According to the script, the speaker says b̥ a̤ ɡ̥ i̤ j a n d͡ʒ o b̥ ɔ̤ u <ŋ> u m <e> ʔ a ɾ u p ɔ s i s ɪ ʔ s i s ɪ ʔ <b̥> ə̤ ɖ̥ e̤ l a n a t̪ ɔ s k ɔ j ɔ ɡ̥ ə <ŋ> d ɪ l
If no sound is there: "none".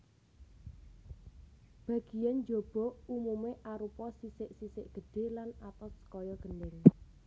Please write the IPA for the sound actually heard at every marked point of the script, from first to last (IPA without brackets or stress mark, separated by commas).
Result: m, e, ɡ̥, n